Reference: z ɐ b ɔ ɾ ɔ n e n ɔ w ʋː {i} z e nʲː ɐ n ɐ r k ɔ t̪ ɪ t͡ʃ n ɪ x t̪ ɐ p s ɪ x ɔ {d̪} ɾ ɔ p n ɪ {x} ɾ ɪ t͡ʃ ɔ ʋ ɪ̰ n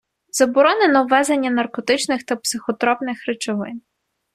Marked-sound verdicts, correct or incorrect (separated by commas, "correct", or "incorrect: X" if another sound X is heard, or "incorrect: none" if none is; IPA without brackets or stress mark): incorrect: ɛ, incorrect: t̪, correct